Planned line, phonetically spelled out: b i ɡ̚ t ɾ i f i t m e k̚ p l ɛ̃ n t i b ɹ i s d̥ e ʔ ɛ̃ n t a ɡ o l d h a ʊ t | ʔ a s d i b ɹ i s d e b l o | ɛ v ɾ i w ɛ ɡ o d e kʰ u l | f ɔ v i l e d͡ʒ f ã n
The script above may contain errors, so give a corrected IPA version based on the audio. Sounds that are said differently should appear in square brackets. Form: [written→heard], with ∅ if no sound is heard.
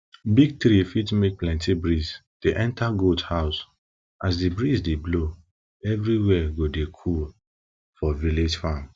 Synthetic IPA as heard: b i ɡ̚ t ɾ i f i t m e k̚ p l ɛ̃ n t i b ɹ i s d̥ e ʔ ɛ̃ n t a ɡ o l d h a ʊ [t→s] | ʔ a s d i b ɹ i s d e b l o | ɛ v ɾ i w ɛ ɡ o d e kʰ u l | f ɔ v i l e d͡ʒ f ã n